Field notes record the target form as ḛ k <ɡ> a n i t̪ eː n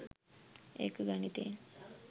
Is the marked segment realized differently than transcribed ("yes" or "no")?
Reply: no